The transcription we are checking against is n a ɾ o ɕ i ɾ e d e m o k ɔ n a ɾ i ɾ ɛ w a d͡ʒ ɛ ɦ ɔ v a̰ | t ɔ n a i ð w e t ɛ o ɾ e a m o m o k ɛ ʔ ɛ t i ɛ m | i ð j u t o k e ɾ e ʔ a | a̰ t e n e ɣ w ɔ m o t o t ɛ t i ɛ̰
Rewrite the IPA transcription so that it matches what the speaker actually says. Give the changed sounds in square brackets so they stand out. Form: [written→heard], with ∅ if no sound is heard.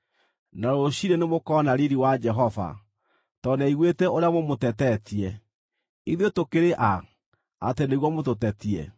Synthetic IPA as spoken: n a ɾ o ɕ i ɾ e [d→n] e m o k ɔ n a ɾ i ɾ [ɛ→i] w a d͡ʒ ɛ ɦ ɔ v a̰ | t ɔ n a i [ð→ɣ] w e t ɛ o ɾ e a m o m o [k→t] ɛ [ʔ→t] ɛ t i ɛ [m→∅] | i ð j [u→o] t o k e ɾ e ʔ a | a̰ t e n e ɣ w ɔ m o t o t ɛ t i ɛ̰

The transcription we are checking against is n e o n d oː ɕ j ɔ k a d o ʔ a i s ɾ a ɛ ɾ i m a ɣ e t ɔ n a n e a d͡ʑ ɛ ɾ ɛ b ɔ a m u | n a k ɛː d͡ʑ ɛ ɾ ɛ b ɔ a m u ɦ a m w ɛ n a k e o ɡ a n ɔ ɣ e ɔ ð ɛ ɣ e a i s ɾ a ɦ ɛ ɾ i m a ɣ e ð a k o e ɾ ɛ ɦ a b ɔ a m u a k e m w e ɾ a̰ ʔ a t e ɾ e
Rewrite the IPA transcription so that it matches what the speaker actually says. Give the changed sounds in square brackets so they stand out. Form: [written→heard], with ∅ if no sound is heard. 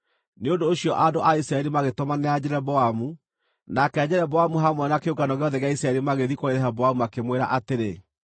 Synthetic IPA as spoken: n e o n d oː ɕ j ɔ [k→ʔ] a d o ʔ a i s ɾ a ɛ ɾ i m a ɣ e t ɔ [n→m] a n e a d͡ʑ ɛ ɾ ɛ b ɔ a m u | n a k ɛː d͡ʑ ɛ ɾ ɛ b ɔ a m u ɦ a m w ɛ n a k e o ɡ a n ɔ ɣ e ɔ ð ɛ ɣ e a i s ɾ a [ɦ→∅] ɛ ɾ i m a ɣ e ð [a→i] k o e ɾ ɛ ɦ a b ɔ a m u a k e m w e ɾ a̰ ʔ a t e ɾ e

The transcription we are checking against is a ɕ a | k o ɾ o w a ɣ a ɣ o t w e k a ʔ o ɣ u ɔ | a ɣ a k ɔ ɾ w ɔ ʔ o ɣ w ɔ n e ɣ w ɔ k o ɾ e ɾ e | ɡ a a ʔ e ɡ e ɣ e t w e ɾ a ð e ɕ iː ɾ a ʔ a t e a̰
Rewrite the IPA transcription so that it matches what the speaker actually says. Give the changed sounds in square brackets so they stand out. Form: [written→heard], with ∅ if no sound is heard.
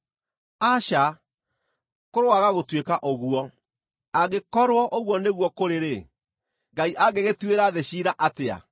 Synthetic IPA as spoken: a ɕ a | k o ɾ o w a ɣ a ɣ o t w e k a ʔ o ɣ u ɔ | a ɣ [a→e] k ɔ ɾ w ɔ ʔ o ɣ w ɔ n e ɣ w ɔ k o ɾ e ɾ e | ɡ a [a→i] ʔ [e→a] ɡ e ɣ e t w e ɾ a ð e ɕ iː ɾ a ʔ a t e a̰

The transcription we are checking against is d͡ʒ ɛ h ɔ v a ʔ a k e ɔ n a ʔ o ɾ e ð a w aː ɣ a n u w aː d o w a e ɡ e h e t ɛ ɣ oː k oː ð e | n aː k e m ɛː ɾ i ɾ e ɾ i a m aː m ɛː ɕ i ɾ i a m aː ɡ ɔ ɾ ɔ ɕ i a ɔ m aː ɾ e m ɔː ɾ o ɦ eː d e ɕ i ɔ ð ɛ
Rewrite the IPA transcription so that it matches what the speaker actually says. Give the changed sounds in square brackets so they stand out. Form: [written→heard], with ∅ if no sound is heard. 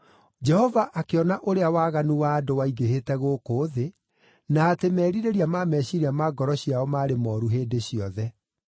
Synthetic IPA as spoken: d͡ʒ ɛ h ɔ v a ʔ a k e ɔ n a ʔ o ɾ e [ð→∅] a w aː ɣ a n u w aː d o w a [e→i] ɡ e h e t ɛ ɣ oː k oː ð e | n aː [k→t] e m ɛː ɾ i ɾ e ɾ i a m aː m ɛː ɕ i ɾ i a m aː ɡ ɔ ɾ ɔ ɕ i a ɔ m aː ɾ e m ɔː ɾ [o→u] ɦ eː d e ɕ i ɔ ð ɛ

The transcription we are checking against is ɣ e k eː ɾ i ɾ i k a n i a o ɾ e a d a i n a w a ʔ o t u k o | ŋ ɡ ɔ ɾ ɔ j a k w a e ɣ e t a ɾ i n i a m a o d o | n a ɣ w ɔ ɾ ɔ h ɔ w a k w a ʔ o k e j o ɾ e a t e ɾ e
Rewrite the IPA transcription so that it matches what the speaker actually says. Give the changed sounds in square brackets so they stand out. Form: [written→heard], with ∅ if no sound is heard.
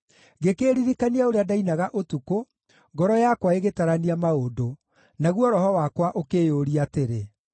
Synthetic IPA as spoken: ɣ e k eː ɾ i ɾ i k a n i a o ɾ e a d a i n a [w→ɣ] a ʔ o t u k o | ŋ ɡ ɔ ɾ ɔ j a k w a e ɣ e t a ɾ [i→a] n i a m a o d o | n a ɣ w ɔ ɾ ɔ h ɔ w a k w a ʔ o k e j o ɾ [e→i] a t e ɾ e

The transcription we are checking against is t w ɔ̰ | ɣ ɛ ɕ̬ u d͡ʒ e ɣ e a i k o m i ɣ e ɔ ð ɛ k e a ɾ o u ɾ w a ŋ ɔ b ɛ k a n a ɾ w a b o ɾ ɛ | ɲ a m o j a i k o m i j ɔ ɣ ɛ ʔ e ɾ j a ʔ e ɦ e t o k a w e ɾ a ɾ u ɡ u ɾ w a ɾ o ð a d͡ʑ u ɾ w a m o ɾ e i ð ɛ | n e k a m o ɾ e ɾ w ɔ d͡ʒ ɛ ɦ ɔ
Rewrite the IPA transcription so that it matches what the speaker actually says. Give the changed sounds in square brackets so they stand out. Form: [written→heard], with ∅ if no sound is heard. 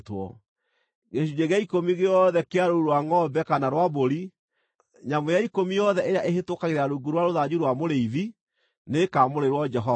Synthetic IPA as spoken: t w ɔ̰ | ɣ [ɛ→e] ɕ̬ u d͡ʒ e ɣ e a i k o m i ɣ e ɔ ð ɛ k e a ɾ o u ɾ w a ŋ ɔ b ɛ k a n a ɾ w a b o ɾ [ɛ→i] | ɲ a m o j a i k o m i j ɔ [ɣ→ð] ɛ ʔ e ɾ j a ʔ e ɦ e t o k a [w→ɣ] e ɾ a ɾ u ɡ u ɾ w a ɾ o ð a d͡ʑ u ɾ w a m o ɾ e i ð [ɛ→i] | n e k a m o ɾ e ɾ w ɔ d͡ʒ ɛ ɦ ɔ

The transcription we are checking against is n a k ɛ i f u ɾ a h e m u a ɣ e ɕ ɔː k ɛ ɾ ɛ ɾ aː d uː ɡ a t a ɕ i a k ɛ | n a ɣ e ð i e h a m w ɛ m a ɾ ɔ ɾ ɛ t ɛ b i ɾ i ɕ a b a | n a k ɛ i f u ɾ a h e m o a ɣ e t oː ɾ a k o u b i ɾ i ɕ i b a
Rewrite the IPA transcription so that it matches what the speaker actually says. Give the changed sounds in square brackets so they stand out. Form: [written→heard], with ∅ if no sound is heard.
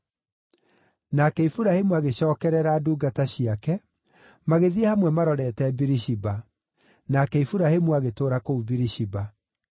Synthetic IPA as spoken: n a k ɛ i f u ɾ a h e m u a ɣ e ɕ ɔː k ɛ ɾ ɛ ɾ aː d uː ɡ a t a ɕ i a k ɛ | [n→m] a ɣ e ð i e h a m w ɛ m a ɾ ɔ ɾ ɛ t ɛ b i ɾ i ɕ [a→i] b a | n a k ɛ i f u ɾ a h e m [o→u] a ɣ e t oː ɾ a k o u b i ɾ i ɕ i b a

